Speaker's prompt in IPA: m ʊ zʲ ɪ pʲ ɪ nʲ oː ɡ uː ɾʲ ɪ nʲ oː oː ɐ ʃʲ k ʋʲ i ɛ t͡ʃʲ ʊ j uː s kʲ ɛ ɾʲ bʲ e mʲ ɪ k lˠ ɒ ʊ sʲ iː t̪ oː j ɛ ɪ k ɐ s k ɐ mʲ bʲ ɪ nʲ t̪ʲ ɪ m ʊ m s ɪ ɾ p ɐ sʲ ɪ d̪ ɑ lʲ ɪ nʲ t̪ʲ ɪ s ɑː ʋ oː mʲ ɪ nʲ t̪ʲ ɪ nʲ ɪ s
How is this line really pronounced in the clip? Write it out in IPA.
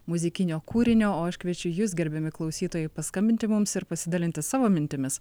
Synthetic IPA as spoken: m ʊ zʲ ɪ kʲ ɪ nʲ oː k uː ɾʲ ɪ nʲ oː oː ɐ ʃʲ k ʋʲ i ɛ t͡ʃʲ ʊ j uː s ɡʲ ɛ ɾʲ bʲ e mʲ ɪ k lˠ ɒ ʊ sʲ iː t̪ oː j ɛ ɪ p ɐ s k ɐ mʲ bʲ ɪ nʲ t̪ʲ ɪ m ʊ m s ɪ ɾ p ɐ sʲ ɪ d̪ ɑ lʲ ɪ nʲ t̪ʲ ɪ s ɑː ʋ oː mʲ ɪ nʲ t̪ʲ ɪ mʲ ɪ s